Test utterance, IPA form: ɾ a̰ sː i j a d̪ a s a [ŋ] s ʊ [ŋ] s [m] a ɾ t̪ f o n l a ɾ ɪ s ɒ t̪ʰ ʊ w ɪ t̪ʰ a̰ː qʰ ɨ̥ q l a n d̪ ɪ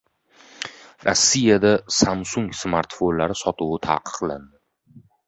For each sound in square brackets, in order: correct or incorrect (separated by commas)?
incorrect, correct, correct